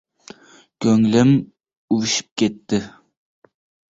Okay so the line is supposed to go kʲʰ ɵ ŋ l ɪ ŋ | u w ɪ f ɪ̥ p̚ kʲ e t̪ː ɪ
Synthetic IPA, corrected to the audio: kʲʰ ɵ ŋ l ɪ m | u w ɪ ʃ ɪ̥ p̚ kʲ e t̪ː ɪ